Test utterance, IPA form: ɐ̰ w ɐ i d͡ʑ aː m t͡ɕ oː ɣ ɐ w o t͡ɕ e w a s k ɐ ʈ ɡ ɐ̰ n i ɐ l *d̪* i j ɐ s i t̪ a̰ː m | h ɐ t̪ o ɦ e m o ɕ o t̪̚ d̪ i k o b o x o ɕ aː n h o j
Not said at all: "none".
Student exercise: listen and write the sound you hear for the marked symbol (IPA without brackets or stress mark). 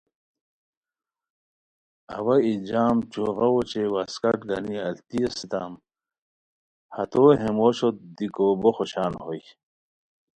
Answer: t̪